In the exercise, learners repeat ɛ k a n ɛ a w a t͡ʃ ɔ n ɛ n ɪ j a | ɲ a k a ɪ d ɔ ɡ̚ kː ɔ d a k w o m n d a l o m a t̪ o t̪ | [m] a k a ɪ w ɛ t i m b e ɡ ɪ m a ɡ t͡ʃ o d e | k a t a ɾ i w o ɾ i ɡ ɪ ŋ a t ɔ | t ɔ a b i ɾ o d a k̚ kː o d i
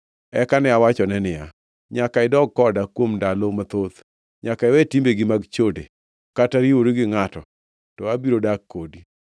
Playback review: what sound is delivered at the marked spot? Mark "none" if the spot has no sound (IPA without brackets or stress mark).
ɲ